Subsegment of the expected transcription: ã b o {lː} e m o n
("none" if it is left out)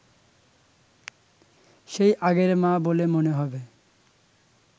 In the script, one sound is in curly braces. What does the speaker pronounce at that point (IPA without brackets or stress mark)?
l